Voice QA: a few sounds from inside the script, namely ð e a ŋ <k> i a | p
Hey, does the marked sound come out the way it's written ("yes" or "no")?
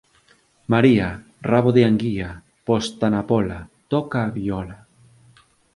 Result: no